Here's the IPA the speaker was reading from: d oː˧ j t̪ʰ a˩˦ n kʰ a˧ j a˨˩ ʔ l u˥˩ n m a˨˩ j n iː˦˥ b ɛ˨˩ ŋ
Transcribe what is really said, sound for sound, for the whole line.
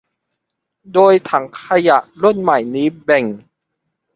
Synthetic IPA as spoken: d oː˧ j t̪ʰ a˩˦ ŋ kʰ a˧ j a˨˩ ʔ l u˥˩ n m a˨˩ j n iː˦˥ b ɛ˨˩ ŋ